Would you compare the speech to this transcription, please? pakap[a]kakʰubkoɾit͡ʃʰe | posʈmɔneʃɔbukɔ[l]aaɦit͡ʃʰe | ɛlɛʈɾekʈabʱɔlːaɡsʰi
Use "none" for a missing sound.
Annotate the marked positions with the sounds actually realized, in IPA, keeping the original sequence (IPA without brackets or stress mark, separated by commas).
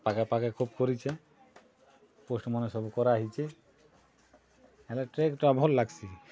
a, ɾ